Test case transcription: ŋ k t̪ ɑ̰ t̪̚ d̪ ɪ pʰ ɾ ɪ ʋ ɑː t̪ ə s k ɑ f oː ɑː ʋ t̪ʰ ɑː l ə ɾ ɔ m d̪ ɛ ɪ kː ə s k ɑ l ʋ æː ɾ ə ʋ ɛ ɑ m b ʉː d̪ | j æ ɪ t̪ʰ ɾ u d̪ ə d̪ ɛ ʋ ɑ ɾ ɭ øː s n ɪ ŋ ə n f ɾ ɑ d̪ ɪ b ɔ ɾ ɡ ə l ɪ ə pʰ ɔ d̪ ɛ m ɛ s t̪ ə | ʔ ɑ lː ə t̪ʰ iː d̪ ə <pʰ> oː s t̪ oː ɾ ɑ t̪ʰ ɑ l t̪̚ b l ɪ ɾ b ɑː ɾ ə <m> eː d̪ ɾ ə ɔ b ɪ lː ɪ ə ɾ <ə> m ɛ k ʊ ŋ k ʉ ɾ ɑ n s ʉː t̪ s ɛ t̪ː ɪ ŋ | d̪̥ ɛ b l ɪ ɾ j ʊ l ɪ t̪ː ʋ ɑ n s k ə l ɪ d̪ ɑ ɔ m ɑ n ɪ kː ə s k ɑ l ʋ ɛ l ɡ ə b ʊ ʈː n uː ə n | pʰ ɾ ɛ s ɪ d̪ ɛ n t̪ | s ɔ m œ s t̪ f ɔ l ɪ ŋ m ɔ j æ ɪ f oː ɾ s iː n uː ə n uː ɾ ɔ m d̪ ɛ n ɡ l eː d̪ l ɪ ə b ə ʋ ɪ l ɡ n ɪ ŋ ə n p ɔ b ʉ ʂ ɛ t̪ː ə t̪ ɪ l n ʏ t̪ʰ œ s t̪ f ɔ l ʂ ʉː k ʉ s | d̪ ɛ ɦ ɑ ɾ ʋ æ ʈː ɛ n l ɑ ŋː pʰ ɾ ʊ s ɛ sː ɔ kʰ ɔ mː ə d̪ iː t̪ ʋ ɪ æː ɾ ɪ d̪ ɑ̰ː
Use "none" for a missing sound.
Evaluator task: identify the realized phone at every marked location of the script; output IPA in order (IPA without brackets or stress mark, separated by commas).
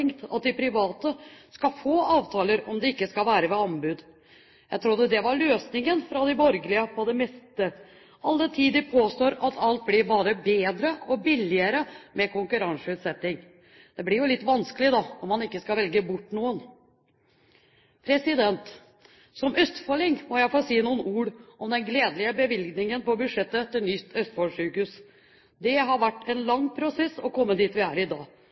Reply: pʰ, b, ə